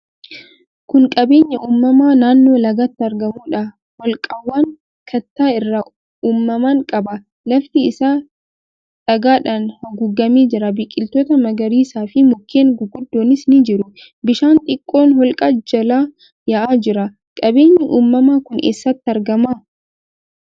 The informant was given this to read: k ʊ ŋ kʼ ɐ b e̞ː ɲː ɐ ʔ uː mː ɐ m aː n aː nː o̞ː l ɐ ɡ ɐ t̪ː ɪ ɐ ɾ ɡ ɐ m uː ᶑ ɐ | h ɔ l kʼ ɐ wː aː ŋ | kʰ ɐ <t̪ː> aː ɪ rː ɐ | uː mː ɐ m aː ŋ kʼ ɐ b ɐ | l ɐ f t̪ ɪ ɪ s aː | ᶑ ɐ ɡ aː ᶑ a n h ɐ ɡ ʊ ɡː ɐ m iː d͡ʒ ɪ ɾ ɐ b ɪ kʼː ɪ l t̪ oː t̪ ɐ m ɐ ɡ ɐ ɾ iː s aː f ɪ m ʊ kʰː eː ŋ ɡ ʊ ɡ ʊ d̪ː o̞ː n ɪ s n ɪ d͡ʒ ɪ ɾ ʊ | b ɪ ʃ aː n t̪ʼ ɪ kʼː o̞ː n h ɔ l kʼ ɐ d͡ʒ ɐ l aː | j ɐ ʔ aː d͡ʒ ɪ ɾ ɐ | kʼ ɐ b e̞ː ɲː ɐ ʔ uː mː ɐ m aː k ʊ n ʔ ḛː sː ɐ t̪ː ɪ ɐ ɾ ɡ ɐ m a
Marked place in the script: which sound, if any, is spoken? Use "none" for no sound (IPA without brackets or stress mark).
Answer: t̪ː